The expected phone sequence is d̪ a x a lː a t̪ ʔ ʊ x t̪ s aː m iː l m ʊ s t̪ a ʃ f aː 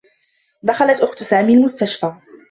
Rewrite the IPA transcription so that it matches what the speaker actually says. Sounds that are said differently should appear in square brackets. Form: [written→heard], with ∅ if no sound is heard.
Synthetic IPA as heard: d̪ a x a [lː→l] a t̪ ʔ ʊ x t̪ s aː m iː l m ʊ s t̪ a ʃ f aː